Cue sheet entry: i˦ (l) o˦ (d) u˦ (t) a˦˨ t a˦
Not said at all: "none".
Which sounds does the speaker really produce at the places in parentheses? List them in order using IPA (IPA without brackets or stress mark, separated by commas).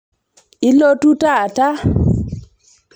l, t, t